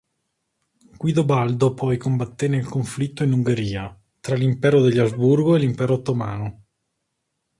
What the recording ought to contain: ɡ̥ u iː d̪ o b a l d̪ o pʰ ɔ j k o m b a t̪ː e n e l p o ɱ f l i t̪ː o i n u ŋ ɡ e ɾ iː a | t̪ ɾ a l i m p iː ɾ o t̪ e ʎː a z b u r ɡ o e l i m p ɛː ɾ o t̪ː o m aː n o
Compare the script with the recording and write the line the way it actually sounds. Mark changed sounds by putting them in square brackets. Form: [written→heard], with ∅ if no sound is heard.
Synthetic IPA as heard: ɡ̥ [u→w] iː d̪ o b a l d̪ o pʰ ɔ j k o m b a t̪ː e n e l [p→k] o ɱ f l i t̪ː o i n u ŋ ɡ e ɾ iː a | t̪ ɾ a l i m p [iː→ɛː] ɾ o [t̪→d̪] e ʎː a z b u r ɡ o e l i m p ɛː ɾ o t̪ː o m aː n o